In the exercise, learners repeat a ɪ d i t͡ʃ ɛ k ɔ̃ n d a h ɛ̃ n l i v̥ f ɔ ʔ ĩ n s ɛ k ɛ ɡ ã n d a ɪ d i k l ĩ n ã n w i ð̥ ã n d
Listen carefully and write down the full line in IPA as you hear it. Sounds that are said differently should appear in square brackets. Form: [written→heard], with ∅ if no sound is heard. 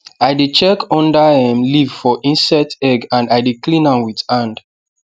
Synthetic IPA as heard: a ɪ d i t͡ʃ ɛ k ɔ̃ n d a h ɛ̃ [n→m] l i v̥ f ɔ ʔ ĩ n s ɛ [k→t] ɛ ɡ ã n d a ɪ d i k l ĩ n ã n w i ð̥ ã n d

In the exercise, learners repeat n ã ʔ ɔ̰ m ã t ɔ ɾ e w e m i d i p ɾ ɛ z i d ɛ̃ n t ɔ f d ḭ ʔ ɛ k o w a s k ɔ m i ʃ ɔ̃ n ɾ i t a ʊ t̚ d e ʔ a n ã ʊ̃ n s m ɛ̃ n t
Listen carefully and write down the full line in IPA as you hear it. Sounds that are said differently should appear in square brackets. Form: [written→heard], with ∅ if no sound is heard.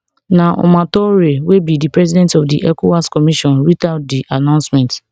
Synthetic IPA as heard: n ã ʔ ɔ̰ m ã t ɔ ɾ e w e [m→b] i d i p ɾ ɛ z i d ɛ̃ n t ɔ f d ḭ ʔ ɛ k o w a s k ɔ m i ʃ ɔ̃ n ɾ i t a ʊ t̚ d [e→i] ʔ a n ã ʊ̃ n s m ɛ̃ n t

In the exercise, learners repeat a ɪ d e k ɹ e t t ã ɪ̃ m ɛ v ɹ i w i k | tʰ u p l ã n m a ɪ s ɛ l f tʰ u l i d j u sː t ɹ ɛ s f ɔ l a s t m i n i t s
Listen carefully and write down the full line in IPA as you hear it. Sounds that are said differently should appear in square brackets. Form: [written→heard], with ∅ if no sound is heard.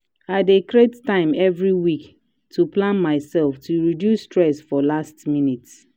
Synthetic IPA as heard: a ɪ d e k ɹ e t t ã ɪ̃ m ɛ v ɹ i w i k | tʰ u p l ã n m a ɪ s ɛ l f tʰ u [l→ɹ] i d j u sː t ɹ ɛ s f ɔ l a s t m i n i t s

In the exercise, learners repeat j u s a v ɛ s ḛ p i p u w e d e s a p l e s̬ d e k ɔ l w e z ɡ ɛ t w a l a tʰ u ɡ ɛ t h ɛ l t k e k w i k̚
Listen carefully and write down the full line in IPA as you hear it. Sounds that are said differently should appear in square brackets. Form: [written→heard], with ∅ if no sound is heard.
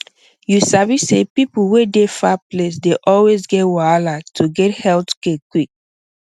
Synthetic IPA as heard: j u s a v [ɛ→i] s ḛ p i p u w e d e [s→f] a p l e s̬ d e [k→ʔ] ɔ l w e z ɡ ɛ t w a l a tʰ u ɡ ɛ t h ɛ l t k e k w i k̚

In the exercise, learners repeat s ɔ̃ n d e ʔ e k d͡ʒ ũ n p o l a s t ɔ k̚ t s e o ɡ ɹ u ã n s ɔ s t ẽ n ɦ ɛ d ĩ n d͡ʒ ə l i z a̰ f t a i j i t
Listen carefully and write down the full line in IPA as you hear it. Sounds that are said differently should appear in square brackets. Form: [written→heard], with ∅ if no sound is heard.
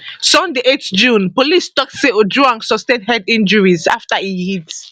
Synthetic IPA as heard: s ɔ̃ n d e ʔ e [k→t] d͡ʒ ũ n p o l [a→i] s t ɔ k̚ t s e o [ɡ→d] ɹ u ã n s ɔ s t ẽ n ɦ ɛ d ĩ n d͡ʒ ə [l→ɹ] i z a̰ f t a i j i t

